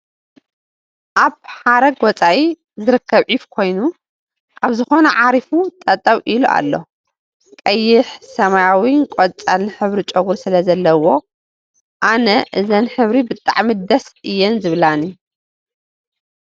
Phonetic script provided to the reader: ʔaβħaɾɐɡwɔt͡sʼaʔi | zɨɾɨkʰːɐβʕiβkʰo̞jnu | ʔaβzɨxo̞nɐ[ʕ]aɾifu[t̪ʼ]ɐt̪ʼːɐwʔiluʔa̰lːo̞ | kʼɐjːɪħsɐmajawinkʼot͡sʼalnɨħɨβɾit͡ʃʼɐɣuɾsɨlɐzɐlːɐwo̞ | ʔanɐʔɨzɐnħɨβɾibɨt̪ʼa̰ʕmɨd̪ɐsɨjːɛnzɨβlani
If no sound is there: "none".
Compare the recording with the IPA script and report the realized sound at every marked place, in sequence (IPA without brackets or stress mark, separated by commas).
ʕ, t̪ʼ